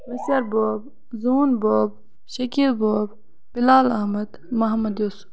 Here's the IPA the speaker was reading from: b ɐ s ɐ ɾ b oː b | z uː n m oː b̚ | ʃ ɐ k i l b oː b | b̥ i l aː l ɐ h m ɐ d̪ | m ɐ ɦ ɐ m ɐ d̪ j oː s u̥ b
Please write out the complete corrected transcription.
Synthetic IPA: m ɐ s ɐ ɾ b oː b | z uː n b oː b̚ | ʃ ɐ k i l b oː b | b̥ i l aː l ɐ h m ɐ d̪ | m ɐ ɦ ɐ m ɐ d̪ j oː s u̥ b

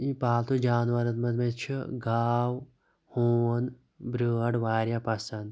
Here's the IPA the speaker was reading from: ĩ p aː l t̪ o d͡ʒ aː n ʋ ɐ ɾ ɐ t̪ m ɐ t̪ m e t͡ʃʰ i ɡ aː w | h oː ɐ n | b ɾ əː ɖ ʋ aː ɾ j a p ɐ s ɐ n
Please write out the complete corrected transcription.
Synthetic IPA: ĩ p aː l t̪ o d͡ʒ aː n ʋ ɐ ɾ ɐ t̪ m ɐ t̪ m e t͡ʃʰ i ɡ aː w | h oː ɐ n | b ɾ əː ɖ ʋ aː ɾ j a p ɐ s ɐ n

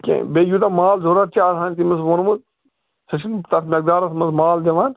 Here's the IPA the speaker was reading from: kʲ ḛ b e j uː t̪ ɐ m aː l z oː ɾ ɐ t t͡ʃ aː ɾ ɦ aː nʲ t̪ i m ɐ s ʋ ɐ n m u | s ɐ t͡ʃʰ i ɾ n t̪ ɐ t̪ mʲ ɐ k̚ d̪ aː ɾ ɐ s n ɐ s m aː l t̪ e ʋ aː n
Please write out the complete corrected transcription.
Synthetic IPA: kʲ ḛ b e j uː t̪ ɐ m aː l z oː ɾ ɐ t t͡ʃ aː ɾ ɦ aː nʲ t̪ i m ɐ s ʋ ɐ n m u | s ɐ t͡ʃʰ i n t̪ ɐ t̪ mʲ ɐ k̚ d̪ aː ɾ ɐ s m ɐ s m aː l d̪ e ʋ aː n

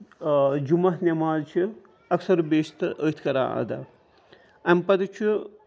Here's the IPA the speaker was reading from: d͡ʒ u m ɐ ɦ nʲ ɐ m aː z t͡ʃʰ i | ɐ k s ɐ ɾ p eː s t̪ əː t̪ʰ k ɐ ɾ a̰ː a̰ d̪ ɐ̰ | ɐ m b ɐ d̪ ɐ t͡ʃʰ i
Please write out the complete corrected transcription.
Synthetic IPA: d͡ʒ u m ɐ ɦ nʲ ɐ m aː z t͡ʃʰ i | ɐ k s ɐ ɾ b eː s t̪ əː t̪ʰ k ɐ ɾ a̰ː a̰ d̪ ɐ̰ | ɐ m p ɐ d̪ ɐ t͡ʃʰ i

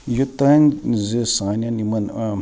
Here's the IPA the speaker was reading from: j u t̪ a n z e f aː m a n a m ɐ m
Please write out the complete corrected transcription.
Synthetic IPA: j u t̪ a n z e s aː n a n i m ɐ n

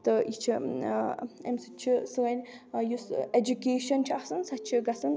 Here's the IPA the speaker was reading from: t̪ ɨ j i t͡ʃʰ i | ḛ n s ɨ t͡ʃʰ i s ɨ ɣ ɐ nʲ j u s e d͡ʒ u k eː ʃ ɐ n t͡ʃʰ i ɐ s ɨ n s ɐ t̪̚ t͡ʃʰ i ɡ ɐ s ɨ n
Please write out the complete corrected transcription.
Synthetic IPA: t̪ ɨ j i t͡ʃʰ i | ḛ m s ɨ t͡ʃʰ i s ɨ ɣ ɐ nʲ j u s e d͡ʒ u k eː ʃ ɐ n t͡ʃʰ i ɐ s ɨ n s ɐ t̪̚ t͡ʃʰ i ɡ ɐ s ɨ n

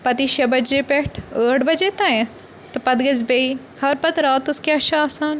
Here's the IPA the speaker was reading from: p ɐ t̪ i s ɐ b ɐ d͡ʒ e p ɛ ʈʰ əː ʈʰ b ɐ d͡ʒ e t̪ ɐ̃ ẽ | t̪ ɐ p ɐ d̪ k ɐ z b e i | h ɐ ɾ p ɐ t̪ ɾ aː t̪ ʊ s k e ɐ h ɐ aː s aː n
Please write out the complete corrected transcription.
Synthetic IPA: p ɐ t̪ i ʃ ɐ b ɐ d͡ʒ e p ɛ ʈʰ əː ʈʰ b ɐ d͡ʒ e t̪ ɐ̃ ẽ | t̪ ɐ p ɐ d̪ ɡ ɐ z b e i | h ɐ ɾ p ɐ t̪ ɾ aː t̪ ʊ s k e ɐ ʃ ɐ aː s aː n

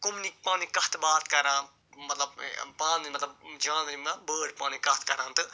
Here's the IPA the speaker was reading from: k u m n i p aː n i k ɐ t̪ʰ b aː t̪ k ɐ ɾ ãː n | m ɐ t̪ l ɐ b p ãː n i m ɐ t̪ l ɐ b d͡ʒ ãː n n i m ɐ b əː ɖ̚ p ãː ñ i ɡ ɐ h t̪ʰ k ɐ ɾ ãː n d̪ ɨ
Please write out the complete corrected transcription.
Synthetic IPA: k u m n i p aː n i k ɐ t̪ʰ b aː t̪ k ɐ ɾ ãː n | m ɐ t̪ l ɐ b p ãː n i m ɐ t̪ l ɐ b d͡ʒ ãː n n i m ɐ b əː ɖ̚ p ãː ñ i k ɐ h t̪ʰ k ɐ ɾ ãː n t̪ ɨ

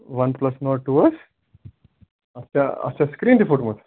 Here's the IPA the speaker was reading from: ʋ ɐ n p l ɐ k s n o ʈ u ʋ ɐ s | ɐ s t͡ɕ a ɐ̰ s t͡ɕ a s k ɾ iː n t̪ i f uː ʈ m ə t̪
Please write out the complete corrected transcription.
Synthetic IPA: ʋ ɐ n p l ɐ s n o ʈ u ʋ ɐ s | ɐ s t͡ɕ a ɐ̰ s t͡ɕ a s k ɾ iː n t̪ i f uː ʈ m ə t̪

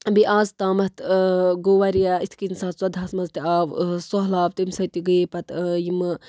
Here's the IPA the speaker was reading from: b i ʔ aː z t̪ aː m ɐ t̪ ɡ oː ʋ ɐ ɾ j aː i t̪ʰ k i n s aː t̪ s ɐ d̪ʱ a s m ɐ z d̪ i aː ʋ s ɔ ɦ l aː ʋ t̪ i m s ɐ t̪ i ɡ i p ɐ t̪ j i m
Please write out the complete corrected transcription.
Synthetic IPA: b i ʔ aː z t̪ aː m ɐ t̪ ɡ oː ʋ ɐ ɾ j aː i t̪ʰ k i n s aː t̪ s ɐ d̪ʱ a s m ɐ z t̪ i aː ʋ s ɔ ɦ l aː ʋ t̪ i m s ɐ t̪ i ɡ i p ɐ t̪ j i m

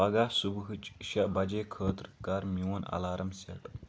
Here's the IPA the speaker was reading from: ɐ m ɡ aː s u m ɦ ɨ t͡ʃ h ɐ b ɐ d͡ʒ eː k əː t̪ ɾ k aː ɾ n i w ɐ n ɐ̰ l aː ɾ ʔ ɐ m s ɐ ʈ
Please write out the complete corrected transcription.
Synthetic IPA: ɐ ɡ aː s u b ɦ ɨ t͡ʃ ʃ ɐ b ɐ d͡ʒ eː kʰ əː t̪ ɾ k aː ɾ m i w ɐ n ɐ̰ l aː ɾ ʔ ɐ m s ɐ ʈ

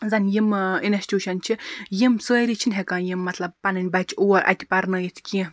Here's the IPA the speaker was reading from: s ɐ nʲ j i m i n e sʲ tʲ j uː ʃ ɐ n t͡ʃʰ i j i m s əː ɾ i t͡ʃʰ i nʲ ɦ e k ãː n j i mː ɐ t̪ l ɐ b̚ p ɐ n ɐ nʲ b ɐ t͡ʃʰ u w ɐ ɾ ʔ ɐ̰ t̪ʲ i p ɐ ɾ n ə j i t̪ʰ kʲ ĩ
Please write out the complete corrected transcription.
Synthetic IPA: z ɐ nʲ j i m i n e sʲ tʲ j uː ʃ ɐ n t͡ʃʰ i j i m s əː ɾ i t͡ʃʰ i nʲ ɦ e k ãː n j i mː ɐ t̪ l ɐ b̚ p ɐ n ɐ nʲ b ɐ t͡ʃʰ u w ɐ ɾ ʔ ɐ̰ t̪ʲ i p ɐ ɾ n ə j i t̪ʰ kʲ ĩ

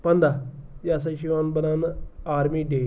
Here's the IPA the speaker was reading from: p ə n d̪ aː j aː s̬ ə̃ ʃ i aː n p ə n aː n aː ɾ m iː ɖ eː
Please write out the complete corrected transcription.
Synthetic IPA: p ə n d̪ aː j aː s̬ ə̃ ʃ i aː n b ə n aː n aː ɾ m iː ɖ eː

